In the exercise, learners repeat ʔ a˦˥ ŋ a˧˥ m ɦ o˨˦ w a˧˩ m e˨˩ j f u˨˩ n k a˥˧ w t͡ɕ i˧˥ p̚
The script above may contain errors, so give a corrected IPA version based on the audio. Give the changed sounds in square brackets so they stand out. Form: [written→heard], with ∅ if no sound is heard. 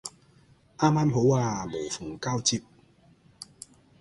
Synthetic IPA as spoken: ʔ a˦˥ [ŋ→m] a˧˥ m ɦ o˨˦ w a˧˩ m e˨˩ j f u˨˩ [n→ŋ] k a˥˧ w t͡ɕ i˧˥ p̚